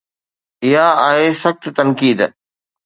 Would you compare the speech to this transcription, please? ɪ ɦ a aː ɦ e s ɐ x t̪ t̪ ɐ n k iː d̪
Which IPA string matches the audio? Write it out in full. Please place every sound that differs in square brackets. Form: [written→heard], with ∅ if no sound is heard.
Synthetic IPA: ɪ ɦ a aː ɦ e s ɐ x t̪ t̪ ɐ n k iː d̪